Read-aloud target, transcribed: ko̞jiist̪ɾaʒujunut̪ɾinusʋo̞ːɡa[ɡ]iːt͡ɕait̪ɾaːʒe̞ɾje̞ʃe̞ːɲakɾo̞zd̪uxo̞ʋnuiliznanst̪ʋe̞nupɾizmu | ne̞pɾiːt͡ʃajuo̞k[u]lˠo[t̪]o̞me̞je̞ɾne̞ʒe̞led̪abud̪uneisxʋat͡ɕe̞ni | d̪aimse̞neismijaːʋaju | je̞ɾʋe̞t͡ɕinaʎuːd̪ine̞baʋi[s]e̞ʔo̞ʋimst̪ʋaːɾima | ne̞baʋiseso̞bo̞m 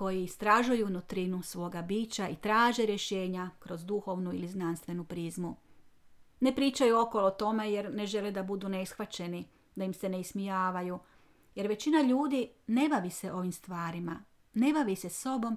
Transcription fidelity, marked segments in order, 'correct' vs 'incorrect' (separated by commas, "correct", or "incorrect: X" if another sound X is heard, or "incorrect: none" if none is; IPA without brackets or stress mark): incorrect: b, incorrect: o, correct, correct